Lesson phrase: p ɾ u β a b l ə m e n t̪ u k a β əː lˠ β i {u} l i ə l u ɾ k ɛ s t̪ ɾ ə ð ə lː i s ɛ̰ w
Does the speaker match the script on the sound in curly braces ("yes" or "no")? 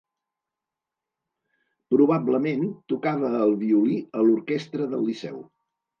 yes